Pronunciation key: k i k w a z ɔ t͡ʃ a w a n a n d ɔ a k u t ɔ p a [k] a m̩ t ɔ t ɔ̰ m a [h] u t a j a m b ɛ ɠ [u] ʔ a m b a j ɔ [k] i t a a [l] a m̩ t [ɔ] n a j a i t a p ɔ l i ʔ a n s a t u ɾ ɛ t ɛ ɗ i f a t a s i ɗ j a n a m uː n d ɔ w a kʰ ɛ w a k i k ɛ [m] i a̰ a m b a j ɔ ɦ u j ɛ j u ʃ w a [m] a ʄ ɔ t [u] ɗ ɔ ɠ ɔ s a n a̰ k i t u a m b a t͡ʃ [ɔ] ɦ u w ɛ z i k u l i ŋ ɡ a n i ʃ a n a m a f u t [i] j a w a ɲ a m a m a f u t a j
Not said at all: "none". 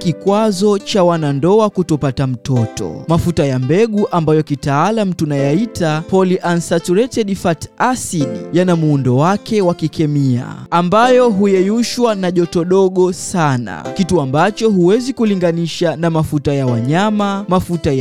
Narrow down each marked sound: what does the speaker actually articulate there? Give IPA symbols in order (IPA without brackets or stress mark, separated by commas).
t, f, u, k, l, u, m, n, ɔ, ɔ, a